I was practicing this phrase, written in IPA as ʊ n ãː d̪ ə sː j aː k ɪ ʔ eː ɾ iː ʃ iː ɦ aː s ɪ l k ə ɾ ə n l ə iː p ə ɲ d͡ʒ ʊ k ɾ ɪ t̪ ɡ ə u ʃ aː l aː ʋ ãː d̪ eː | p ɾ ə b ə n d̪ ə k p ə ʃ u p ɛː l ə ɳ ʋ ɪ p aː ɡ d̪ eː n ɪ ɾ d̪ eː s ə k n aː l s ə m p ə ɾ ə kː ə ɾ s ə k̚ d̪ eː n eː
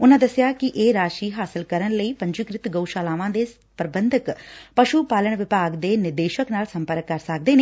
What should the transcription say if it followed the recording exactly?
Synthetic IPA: ʊ n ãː d̪ ə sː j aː k ɪ ʔ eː ɾ aː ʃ iː ɦ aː s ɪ l k ə ɾ ə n l ə iː p ə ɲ d͡ʒ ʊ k ɾ ɪ t̪ ɡ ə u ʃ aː l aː ʋ ãː d̪ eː | p ɾ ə b ə n d̪ ə k p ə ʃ u p aː l ə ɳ ʋ ɪ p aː ɡ d̪ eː n ɪ ɾ d̪ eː ʃ ə k n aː l s ə m p ə ɾ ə kː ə ɾ s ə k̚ d̪ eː n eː

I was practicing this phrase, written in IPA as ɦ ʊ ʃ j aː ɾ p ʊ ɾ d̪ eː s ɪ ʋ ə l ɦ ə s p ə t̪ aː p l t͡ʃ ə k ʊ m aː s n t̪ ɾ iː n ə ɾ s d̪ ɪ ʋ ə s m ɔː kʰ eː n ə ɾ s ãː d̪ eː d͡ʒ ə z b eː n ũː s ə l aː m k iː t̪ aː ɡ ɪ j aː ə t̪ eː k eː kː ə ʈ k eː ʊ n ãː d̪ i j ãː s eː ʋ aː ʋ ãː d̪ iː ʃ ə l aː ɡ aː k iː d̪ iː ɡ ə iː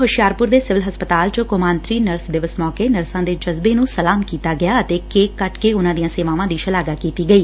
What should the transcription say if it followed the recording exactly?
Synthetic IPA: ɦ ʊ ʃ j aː ɾ p ʊ ɾ d̪ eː s ɪ ʋ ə l ɦ ə s p ə t̪ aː l t͡ʃ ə k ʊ m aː n t̪ ɾ iː n ə ɾ s d̪ ɪ ʋ ə s m ɔː k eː n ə ɾ s ãː d̪ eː d͡ʒ ə z b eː n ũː s ə l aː m k iː t̪ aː ɡ ɪ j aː ə t̪ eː k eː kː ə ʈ k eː ʊ n ãː d̪ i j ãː s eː ʋ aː ʋ ãː d̪ iː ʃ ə l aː ɡ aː k iː t̪ iː ɡ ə iː

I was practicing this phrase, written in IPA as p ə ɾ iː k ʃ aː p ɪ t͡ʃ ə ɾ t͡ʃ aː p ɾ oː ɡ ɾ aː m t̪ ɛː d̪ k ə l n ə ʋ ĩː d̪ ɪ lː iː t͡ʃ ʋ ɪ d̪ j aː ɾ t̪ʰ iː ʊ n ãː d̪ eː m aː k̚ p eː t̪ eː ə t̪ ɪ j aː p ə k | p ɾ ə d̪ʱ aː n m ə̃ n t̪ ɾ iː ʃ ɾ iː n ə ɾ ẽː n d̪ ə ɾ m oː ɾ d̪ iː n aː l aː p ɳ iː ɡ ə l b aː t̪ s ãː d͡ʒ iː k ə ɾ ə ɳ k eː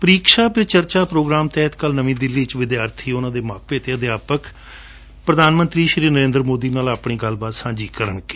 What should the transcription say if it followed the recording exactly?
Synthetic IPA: p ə ɾ iː k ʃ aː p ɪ t͡ʃ ə ɾ t͡ʃ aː p ɾ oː ɡ ɾ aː m t̪ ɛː t̪ k ə l n ə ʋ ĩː d̪ ɪ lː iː t͡ʃ ʋ ɪ d̪ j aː ɾ t̪ʰ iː ʊ n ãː d̪ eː m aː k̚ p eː t̪ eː ə d̪ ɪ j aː p ə k | p ɾ ə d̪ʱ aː n m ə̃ n t̪ ɾ iː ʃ ɾ iː n ə ɾ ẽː n d̪ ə ɾ m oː d̪ iː n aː l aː p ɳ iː ɡ ə l b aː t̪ s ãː d͡ʒ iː k ə ɾ ə ɳ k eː

